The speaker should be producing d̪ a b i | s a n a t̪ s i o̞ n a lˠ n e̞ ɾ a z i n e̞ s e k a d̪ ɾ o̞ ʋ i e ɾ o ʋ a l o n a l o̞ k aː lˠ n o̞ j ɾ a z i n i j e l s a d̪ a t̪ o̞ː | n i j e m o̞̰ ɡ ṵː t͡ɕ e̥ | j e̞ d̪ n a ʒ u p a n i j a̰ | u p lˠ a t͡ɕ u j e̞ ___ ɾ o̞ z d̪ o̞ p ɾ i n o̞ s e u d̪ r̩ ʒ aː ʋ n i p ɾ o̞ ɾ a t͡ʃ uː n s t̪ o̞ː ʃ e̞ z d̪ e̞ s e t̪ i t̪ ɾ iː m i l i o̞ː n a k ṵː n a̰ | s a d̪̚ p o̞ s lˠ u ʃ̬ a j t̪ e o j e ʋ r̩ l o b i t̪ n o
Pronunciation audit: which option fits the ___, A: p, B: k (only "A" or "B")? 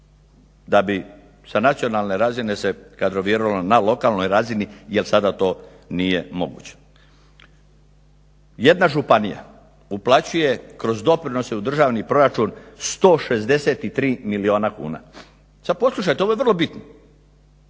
B